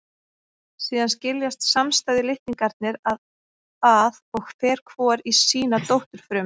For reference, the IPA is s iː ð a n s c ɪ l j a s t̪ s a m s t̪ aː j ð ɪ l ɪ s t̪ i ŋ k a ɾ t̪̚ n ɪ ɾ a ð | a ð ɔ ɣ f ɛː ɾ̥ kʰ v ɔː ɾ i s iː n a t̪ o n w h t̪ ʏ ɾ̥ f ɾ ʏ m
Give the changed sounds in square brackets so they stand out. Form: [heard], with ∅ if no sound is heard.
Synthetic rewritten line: s iː ð a n s c ɪ l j a s t̪ s a m s t̪ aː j ð ɪ l ɪ [h] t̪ i ŋ k a ɾ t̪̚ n ɪ ɾ a ð | a ð ɔ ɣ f ɛː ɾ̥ kʰ v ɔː ɾ i s iː n a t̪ o [∅] w h t̪ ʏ ɾ̥ f ɾ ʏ m